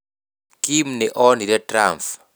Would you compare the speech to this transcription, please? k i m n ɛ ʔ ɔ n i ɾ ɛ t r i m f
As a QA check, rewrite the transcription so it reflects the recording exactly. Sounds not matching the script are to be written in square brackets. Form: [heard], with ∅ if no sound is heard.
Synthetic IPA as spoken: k i m n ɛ ʔ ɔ n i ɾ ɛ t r [a] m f